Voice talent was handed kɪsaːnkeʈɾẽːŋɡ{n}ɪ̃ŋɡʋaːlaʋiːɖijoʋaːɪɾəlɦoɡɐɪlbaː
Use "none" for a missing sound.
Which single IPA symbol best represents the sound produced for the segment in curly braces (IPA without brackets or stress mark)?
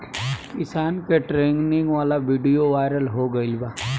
n